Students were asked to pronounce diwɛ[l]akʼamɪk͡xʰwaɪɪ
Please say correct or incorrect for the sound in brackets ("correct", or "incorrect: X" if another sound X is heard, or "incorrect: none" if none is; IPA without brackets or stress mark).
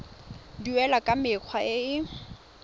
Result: correct